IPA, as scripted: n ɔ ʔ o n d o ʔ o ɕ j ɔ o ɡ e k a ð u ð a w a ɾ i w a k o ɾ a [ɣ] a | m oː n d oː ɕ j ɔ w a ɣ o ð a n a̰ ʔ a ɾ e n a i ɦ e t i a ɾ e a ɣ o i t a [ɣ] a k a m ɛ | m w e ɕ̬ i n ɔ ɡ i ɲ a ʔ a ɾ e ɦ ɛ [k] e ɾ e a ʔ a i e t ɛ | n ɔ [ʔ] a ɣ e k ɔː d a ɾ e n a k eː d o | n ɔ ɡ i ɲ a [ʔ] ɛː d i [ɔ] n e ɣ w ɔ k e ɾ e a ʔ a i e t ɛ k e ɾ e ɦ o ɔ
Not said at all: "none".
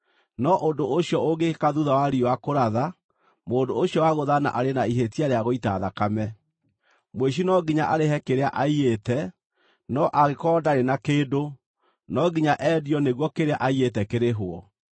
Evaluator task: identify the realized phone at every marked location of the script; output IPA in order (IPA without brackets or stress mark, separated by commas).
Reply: ð, ð, k, ʔ, ʔ, ɔ